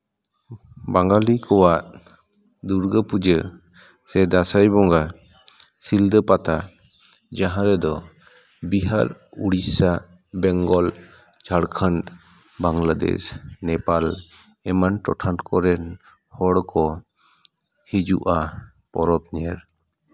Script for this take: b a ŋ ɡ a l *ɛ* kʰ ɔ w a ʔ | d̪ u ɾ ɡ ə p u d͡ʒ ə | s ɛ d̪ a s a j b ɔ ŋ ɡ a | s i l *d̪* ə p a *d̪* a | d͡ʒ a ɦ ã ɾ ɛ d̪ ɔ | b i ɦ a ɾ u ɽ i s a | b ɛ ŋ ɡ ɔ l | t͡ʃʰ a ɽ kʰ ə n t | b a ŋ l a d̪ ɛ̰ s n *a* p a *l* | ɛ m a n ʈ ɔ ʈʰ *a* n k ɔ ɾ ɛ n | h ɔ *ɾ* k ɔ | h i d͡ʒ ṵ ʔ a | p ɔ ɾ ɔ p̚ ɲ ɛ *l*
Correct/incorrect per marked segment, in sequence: incorrect: i, correct, incorrect: t̪, incorrect: ɛ, correct, correct, incorrect: ɽ, incorrect: ɾ

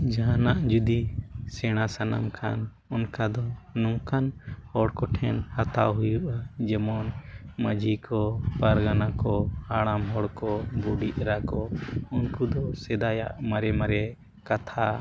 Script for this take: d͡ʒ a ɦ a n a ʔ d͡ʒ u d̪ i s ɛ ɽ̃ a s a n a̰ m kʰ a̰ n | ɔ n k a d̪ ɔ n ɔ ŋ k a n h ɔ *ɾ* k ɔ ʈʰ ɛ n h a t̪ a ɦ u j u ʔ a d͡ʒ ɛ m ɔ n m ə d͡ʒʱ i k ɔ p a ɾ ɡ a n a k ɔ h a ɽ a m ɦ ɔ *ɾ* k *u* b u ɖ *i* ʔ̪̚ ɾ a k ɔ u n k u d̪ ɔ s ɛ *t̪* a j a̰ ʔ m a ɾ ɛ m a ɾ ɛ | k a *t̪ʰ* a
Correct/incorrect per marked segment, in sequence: incorrect: ɽ, incorrect: ɽ, incorrect: ɔ, correct, incorrect: d̪, correct

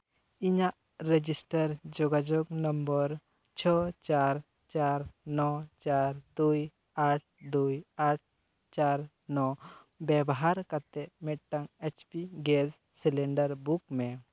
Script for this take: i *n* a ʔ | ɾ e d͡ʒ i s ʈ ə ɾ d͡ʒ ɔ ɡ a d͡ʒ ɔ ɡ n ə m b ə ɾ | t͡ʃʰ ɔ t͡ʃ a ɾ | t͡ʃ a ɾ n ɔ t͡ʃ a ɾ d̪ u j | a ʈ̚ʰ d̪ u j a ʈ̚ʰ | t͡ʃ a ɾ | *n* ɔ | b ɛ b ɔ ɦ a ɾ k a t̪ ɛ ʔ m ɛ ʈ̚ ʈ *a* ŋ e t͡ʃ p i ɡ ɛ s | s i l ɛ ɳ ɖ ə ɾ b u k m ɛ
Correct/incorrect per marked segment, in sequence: incorrect: ɲ, correct, correct

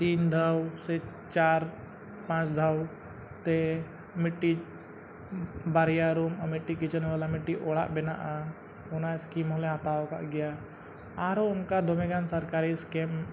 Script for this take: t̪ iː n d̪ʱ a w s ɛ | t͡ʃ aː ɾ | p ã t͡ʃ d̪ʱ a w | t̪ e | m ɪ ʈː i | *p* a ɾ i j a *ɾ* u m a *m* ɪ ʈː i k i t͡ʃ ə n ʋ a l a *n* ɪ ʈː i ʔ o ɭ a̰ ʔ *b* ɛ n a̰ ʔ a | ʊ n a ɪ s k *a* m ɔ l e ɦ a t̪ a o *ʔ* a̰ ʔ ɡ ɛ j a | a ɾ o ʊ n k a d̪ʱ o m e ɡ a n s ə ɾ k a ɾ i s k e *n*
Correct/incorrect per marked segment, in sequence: incorrect: b, correct, correct, incorrect: m, correct, incorrect: i, incorrect: k, incorrect: m

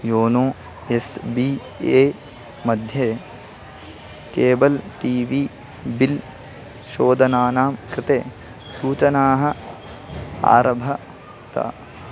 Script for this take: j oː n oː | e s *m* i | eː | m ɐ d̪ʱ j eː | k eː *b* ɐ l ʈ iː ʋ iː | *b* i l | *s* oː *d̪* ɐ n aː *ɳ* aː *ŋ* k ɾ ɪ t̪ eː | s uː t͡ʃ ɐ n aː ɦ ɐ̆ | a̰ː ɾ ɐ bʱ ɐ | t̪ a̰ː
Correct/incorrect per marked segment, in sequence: incorrect: b, correct, correct, incorrect: ʃ, correct, incorrect: n, incorrect: m

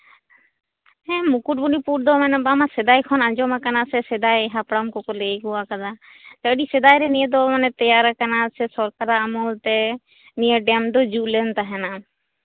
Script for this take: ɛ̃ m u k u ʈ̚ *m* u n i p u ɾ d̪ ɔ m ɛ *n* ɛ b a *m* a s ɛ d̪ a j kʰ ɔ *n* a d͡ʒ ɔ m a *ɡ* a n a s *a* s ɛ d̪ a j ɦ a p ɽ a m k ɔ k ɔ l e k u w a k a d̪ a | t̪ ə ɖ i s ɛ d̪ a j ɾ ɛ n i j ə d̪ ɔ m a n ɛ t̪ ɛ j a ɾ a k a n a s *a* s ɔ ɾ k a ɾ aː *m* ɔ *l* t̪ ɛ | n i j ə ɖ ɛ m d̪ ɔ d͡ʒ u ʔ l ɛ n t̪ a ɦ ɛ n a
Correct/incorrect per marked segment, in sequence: incorrect: b, correct, correct, correct, incorrect: k, incorrect: ɛ, incorrect: ɛ, correct, correct

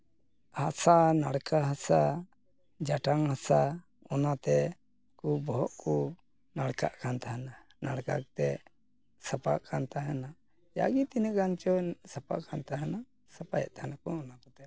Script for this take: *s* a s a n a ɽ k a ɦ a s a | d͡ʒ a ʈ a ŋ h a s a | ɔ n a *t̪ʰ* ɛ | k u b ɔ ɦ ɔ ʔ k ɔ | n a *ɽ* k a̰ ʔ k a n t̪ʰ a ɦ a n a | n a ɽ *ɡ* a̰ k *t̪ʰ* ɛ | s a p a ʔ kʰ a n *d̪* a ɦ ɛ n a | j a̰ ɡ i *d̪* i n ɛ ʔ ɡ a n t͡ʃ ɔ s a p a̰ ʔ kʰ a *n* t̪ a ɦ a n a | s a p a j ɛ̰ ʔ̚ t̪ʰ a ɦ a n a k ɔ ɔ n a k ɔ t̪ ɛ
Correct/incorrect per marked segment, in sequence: incorrect: h, incorrect: t̪, correct, incorrect: k, incorrect: t̪, incorrect: t̪, incorrect: t̪, correct

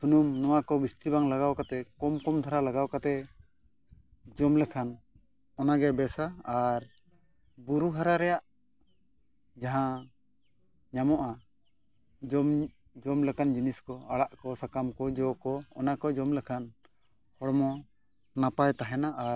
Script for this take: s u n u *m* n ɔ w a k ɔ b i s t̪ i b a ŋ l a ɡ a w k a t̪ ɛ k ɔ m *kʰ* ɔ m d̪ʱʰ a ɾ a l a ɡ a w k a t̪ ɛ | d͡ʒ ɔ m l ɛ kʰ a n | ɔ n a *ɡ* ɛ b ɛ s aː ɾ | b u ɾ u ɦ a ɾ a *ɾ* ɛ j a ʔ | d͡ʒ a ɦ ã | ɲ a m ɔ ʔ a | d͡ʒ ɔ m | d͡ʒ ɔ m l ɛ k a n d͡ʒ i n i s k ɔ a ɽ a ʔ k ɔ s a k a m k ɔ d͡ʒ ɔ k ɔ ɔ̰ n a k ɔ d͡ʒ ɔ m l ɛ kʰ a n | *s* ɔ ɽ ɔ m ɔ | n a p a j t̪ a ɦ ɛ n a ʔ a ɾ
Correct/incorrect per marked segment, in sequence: correct, incorrect: k, correct, correct, incorrect: h

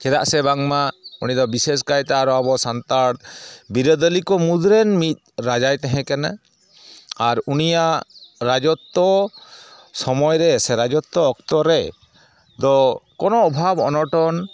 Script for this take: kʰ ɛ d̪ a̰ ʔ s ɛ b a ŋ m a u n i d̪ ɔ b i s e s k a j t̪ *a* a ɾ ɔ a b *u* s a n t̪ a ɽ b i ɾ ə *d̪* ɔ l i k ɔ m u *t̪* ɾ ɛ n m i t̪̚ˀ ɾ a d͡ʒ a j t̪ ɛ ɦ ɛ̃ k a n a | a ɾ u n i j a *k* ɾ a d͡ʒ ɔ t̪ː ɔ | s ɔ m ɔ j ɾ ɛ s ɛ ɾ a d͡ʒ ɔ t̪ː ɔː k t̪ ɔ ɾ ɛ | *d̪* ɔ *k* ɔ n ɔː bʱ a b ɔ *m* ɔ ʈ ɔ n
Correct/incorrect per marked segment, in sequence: correct, incorrect: ɔ, correct, incorrect: d̪, incorrect: ʔ, correct, correct, incorrect: n

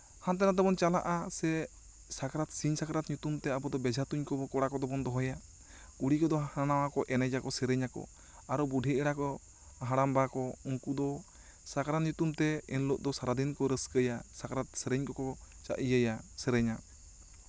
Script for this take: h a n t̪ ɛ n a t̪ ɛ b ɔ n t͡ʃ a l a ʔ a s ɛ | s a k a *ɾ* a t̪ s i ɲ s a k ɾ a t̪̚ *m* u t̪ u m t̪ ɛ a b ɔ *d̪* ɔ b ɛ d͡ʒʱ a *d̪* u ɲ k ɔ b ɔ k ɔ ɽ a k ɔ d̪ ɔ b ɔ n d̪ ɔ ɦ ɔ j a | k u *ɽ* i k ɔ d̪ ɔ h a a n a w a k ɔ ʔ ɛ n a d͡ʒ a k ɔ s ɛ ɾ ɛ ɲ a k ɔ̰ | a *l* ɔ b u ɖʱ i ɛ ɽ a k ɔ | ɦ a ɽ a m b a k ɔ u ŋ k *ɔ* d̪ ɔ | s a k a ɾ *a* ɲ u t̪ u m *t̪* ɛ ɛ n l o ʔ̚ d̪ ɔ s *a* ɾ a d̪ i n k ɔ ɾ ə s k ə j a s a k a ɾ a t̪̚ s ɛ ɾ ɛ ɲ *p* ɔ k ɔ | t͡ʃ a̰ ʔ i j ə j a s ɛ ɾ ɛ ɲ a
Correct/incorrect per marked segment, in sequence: correct, incorrect: ɲ, correct, incorrect: t̪, correct, incorrect: ɾ, incorrect: u, correct, correct, correct, incorrect: k

